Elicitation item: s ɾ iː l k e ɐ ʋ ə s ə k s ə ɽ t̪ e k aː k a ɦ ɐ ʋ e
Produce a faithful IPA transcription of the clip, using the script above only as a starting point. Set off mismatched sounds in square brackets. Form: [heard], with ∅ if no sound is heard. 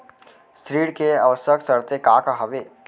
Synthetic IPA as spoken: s ɾ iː [ɽ] k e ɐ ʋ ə s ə k s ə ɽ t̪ e k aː k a ɦ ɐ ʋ e